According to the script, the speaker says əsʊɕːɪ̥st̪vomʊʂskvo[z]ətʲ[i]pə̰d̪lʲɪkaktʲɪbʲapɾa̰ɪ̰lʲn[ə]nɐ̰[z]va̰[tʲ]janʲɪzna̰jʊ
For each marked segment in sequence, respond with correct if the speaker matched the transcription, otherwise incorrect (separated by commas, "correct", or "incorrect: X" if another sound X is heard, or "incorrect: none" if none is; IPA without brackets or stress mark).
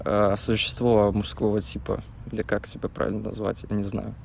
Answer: incorrect: v, correct, correct, correct, correct